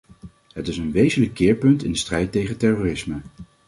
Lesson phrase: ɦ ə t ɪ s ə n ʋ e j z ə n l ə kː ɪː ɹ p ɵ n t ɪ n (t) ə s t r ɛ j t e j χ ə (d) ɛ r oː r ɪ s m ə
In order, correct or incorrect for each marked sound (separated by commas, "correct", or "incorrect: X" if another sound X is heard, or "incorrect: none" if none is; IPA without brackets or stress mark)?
incorrect: d, incorrect: t